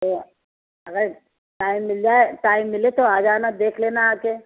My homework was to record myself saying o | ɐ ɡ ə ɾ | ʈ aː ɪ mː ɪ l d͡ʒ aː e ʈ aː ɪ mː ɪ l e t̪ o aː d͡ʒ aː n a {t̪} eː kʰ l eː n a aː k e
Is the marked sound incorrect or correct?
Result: incorrect